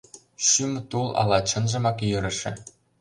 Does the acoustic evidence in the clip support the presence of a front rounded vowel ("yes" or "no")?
yes